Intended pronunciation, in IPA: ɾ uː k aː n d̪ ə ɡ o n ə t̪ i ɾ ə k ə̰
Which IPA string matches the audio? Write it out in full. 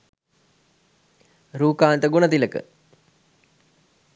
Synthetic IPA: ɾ uː k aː n t̪ ə ɡ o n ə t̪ i l ə k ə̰